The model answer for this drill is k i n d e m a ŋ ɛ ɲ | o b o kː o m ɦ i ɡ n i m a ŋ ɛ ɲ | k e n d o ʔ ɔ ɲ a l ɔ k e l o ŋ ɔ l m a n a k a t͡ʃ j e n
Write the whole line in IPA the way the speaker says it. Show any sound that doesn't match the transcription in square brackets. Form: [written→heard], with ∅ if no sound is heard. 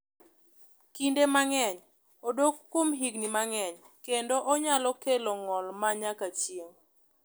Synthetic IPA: k i n d e m a ŋ ɛ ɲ | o [b→d] o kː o m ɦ i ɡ n i m a ŋ ɛ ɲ | k e n d o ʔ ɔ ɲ a l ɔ k e l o ŋ ɔ l m a [n→ɲ] a k a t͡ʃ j e [n→ŋ]